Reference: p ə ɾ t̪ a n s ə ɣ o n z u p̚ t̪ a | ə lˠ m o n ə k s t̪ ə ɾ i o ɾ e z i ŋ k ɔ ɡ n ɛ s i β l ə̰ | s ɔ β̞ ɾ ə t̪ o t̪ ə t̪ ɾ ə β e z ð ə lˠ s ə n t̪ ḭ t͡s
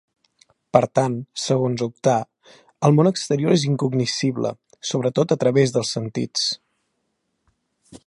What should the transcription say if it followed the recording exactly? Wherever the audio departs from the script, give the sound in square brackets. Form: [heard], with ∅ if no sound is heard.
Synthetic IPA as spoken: p ə ɾ t̪ a n s ə ɣ o n z u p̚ t̪ a | ə lˠ m o n ə k s t̪ ə ɾ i o ɾ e z i ŋ k [u] ɡ n [i] s i β l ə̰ | s [o] β̞ ɾ ə t̪ o t̪ ə t̪ ɾ ə β e z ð ə lˠ s ə n t̪ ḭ t͡s